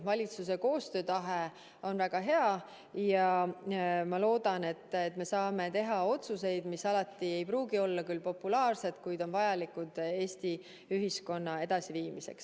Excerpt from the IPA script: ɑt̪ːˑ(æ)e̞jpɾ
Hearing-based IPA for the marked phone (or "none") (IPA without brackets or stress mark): i